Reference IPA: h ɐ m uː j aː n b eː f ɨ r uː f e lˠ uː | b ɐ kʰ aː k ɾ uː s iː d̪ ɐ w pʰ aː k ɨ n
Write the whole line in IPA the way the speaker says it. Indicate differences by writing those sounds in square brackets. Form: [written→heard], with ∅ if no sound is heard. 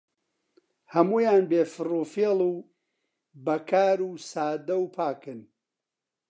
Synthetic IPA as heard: h ɐ m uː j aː n b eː f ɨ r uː f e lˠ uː | b ɐ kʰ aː [k→∅] ɾ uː s [iː→aː] d̪ ɐ w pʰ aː k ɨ n